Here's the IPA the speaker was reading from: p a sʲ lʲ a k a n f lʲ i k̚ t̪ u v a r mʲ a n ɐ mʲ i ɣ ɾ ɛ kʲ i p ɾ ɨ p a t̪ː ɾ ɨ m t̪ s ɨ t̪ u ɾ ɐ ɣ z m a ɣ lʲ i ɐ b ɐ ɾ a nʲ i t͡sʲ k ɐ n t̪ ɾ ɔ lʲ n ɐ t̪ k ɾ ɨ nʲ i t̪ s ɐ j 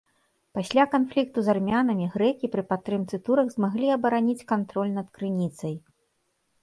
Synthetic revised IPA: p a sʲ lʲ a k a n f lʲ i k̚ t̪ u z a r mʲ a n ɐ mʲ i ɣ ɾ ɛ kʲ i p ɾ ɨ p a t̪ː ɾ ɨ m t̪ s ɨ t̪ u ɾ ɐ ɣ z m a ɣ lʲ i ɐ b ɐ ɾ a nʲ i t͡sʲ k a n t̪ ɾ ɔ lʲ n ɐ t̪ k ɾ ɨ nʲ i t̪ s ɐ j